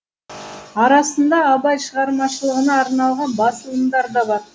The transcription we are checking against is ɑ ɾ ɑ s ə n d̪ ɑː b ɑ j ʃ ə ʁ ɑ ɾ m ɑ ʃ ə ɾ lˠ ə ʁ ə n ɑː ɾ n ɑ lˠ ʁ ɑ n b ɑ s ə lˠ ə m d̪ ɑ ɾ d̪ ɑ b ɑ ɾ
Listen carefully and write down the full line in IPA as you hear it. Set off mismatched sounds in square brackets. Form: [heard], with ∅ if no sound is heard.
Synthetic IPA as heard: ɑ ɾ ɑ s ə n d̪ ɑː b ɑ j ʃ ə ʁ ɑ ɾ m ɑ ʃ ə [∅] lˠ ə ʁ ə n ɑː ɾ n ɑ lˠ ʁ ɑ n b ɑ s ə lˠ ə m d̪ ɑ ɾ d̪ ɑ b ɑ ɾ